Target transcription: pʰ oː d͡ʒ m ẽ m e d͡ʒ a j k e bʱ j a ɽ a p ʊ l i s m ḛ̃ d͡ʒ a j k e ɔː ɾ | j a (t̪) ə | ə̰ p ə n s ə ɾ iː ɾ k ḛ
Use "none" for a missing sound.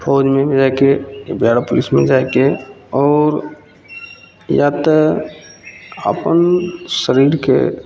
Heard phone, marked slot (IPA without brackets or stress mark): t̪